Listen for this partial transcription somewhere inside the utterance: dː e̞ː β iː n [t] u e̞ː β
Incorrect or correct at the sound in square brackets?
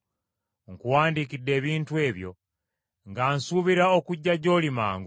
correct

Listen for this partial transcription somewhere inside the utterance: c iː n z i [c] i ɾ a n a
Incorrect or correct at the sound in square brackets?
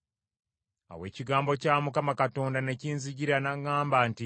incorrect: ɟ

